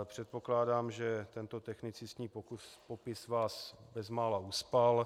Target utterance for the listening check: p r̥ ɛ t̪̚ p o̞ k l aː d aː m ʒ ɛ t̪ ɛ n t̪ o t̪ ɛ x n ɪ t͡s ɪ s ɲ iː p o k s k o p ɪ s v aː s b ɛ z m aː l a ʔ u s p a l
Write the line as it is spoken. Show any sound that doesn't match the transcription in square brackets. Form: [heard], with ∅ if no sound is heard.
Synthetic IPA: p r̥ ɛ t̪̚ p o̞ k l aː d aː m ʒ ɛ t̪ ɛ n t̪ o t̪ ɛ x n ɪ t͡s ɪ s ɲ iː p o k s [p] o p ɪ s v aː s b ɛ z m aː l a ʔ u s p a l